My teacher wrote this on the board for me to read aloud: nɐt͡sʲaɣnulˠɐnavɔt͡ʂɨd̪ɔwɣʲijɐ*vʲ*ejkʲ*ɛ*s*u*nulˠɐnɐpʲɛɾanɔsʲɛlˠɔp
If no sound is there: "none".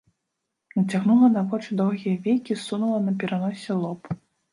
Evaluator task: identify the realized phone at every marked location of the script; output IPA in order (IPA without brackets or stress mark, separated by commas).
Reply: vʲ, i, u